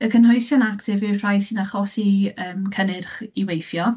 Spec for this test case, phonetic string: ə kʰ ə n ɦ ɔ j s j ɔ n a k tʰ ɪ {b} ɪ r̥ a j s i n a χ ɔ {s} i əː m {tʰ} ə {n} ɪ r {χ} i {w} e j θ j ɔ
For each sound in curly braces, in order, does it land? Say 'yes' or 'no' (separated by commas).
no, yes, no, yes, yes, yes